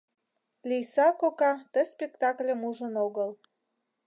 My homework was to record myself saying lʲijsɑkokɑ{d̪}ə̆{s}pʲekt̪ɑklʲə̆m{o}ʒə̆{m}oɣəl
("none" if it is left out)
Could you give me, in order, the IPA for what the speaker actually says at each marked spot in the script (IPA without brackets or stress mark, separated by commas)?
t̪, s, u, n